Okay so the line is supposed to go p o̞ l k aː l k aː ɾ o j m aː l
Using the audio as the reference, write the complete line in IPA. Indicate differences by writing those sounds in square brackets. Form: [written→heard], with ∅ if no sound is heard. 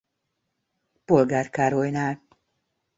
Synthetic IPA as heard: p o̞ l [k→ɡ] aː [l→r] k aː ɾ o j [m→n] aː l